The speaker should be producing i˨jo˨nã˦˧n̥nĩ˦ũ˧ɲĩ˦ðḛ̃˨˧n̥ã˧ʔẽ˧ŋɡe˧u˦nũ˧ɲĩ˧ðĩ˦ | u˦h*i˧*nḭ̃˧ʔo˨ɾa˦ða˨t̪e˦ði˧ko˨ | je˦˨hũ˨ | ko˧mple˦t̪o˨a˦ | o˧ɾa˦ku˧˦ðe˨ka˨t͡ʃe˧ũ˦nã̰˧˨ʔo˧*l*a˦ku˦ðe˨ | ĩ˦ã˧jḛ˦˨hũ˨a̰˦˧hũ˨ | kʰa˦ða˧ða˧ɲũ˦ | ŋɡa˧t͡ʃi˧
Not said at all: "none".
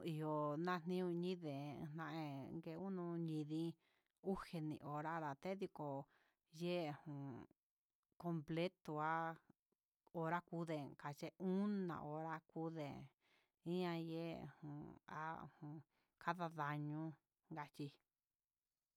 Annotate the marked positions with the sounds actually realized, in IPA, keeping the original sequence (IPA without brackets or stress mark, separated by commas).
e˧, ɾ